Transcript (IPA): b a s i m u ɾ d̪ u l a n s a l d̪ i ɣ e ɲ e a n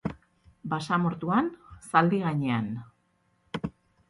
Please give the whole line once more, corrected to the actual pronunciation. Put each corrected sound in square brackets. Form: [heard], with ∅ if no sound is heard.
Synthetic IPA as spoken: b a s [a] m [o] ɾ [t̪] u [∅] a n s a l d̪ i ɣ [a] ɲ e a n